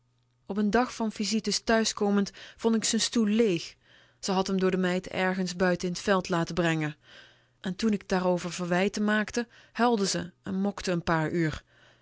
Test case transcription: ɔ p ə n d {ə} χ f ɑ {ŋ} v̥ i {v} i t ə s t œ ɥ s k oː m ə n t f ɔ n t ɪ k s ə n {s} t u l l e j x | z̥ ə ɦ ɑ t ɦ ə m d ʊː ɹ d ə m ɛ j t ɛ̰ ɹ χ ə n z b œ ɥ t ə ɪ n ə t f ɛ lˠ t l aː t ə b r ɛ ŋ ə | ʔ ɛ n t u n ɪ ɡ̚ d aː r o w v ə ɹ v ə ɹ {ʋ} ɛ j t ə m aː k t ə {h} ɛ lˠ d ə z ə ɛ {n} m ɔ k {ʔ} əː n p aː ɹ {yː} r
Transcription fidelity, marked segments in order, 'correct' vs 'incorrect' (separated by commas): incorrect, incorrect, incorrect, correct, correct, correct, correct, incorrect, correct